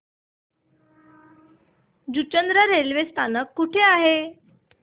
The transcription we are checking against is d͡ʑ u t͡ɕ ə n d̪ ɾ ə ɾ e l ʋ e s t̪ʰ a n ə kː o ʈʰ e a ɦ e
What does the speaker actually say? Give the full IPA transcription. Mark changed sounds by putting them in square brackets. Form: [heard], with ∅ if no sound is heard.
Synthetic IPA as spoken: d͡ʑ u t͡ɕ ə n d̪ ɾ ə ɾ e l ʋ e s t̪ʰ a n ə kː [u] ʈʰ e a ɦ e